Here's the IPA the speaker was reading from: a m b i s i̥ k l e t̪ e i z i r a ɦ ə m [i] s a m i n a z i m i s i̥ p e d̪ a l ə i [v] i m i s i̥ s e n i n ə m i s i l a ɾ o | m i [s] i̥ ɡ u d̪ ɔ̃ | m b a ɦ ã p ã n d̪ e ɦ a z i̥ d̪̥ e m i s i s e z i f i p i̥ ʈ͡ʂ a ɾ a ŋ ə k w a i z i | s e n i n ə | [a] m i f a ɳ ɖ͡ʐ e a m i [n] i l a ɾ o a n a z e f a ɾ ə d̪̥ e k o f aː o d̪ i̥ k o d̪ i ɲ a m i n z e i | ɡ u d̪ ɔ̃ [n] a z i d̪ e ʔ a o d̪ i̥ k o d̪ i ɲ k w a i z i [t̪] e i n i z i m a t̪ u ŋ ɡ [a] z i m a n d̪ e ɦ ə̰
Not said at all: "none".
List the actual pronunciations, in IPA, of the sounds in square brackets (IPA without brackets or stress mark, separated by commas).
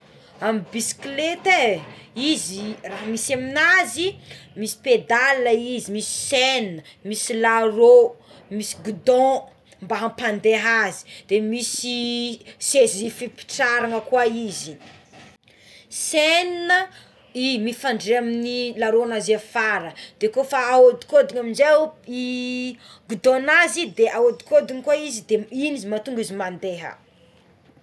i, z, s, i, n, n, d̪, i